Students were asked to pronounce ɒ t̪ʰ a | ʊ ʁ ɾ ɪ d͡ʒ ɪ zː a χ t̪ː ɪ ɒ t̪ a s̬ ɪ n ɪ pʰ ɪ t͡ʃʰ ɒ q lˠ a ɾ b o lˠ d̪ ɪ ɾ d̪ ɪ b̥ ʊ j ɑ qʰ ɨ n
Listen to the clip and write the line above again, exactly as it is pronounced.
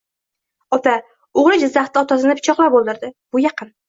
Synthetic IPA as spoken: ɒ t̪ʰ a | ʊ ʁ ɾ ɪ d͡ʒ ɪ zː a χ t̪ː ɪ ɒ t̪ a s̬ ɪ n ɪ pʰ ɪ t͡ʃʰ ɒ q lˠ a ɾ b o lˠ d̪ ɪ ɾ d̪ ɪ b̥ ʊ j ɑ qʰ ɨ n